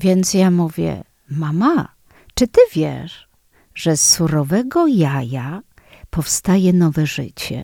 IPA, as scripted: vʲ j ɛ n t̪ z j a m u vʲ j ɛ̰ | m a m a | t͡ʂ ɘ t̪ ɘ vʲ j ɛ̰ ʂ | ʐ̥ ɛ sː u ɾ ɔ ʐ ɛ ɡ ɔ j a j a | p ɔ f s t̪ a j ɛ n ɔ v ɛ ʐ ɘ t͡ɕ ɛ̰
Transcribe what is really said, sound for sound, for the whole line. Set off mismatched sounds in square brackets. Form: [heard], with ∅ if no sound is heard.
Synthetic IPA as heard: vʲ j ɛ n t̪ [s] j a m u vʲ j ɛ̰ | m a m a | t͡ʂ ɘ t̪ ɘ vʲ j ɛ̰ ʂ | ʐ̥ ɛ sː u ɾ ɔ [v] ɛ ɡ ɔ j a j a | p ɔ f s t̪ a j ɛ n ɔ v ɛ ʐ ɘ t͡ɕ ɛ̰